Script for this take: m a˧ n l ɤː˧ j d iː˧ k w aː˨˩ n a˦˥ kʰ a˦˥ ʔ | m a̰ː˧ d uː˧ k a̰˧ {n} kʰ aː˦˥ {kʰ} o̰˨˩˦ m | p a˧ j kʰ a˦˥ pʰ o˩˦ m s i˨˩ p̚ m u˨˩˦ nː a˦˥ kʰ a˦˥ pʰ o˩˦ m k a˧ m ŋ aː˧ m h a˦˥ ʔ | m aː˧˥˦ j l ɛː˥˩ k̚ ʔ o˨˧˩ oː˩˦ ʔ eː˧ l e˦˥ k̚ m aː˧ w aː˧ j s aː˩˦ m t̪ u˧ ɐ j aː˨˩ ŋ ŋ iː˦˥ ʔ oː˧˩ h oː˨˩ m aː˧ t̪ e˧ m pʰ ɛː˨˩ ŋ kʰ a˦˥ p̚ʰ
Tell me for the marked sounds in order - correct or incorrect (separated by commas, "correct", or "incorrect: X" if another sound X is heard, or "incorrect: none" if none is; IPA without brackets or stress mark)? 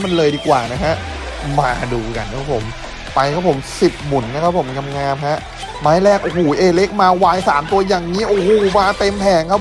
correct, incorrect: pʰ